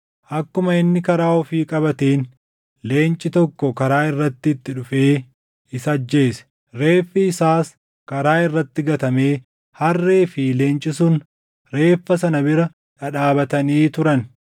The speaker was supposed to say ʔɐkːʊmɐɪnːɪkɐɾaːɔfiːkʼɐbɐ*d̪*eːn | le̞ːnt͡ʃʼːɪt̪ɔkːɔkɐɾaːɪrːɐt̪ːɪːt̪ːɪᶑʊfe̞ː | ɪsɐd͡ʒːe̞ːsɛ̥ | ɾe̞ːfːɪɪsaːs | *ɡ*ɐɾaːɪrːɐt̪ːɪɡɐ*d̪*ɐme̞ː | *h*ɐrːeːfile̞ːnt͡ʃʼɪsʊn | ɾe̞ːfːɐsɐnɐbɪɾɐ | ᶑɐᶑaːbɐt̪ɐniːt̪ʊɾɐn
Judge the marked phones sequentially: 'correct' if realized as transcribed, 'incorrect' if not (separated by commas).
incorrect, incorrect, incorrect, correct